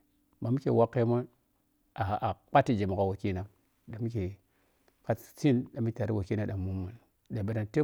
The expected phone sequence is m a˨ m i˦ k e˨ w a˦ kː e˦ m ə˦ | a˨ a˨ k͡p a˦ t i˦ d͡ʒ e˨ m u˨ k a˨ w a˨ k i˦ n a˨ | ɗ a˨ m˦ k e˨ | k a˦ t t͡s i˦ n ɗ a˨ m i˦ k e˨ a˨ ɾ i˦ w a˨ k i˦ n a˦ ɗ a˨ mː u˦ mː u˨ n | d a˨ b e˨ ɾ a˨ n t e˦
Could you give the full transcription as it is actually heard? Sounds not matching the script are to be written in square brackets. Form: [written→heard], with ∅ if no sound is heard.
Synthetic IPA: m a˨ m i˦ k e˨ w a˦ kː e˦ m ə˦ | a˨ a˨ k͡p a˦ t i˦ d͡ʒ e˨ m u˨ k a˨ w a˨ k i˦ n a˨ | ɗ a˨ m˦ k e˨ | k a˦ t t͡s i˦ n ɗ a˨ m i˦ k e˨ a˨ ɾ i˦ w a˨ k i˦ n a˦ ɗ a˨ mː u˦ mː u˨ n | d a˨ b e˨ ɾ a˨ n t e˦